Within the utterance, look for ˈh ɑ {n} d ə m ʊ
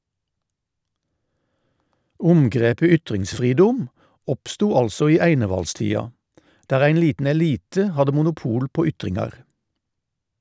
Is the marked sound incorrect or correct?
incorrect